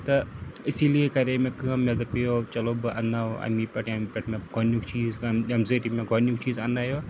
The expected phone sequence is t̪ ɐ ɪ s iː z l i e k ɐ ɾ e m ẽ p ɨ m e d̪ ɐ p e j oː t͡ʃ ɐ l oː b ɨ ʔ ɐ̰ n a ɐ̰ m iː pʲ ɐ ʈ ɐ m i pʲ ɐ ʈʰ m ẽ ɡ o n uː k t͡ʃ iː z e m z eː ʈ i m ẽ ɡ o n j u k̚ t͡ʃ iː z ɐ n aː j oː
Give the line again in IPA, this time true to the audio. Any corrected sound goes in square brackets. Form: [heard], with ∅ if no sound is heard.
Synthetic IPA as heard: t̪ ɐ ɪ s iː [∅] l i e k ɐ ɾ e m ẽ [k] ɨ m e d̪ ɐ p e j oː t͡ʃ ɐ l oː b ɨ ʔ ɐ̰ n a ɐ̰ m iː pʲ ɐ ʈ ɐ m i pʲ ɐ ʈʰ m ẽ ɡ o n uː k t͡ʃ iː z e m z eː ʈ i m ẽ ɡ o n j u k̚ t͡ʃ iː z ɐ n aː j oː